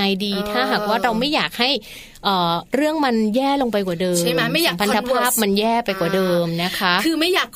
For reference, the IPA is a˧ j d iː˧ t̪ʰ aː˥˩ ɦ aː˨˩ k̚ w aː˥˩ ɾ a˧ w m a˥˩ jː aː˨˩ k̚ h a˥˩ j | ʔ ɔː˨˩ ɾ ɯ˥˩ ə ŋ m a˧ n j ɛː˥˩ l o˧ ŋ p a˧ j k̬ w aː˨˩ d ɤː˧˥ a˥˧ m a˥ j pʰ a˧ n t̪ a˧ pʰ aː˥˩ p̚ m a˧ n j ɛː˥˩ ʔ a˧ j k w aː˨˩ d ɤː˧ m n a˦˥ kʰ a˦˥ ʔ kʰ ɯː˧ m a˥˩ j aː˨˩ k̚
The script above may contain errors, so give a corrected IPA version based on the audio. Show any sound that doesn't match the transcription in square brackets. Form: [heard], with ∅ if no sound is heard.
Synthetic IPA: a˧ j d iː˧ t̪ʰ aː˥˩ ɦ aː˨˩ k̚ w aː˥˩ ɾ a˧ w m a˥˩ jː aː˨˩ k̚ h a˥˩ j | ʔ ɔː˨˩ ɾ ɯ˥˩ ə ŋ m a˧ n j ɛː˥˩ l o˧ ŋ p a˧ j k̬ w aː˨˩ d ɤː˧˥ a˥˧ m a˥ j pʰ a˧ n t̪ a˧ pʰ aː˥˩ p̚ m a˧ n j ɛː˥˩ [p] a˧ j k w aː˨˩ d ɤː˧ m n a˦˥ kʰ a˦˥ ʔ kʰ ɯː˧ m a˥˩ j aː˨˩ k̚